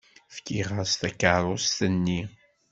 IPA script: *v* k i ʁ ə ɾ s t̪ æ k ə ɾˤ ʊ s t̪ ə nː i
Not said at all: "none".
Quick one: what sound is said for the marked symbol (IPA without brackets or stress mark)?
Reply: f